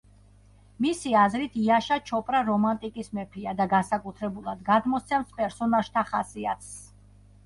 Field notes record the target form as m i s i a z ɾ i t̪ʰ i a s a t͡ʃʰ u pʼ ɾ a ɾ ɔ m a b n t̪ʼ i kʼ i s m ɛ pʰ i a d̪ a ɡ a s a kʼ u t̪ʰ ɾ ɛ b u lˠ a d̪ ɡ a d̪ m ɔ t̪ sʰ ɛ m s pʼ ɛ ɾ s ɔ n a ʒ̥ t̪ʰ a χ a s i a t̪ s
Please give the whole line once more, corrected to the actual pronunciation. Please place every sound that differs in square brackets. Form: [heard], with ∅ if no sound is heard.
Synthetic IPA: m i s i a z ɾ i t̪ʰ i a [ʃ] a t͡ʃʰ [ɔ] pʼ ɾ a ɾ ɔ m a [∅] n t̪ʼ i kʼ i s m ɛ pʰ i a d̪ a ɡ a s a kʼ u t̪ʰ ɾ ɛ b u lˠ a d̪ ɡ a d̪ m ɔ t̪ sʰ ɛ m s pʼ ɛ ɾ s ɔ n a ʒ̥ t̪ʰ a χ a s i a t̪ s